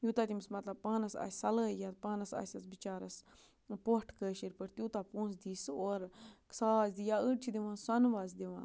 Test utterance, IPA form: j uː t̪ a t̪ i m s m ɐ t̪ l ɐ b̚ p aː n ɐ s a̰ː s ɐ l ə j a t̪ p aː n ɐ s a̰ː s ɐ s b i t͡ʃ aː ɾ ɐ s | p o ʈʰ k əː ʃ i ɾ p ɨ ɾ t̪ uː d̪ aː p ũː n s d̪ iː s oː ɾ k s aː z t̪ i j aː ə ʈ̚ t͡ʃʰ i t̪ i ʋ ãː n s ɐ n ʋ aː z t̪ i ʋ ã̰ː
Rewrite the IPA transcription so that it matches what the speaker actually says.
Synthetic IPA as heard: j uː t̪ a t̪ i m s m ɐ t̪ l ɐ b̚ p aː n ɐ s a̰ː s ɐ l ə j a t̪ p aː n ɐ s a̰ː s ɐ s b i t͡ʃ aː ɾ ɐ s | p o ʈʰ k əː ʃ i ɾ p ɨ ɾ t̪ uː t̪ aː p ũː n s d̪ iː s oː ɾ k s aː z d̪ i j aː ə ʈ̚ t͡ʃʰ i d̪ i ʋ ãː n s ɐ n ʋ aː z d̪ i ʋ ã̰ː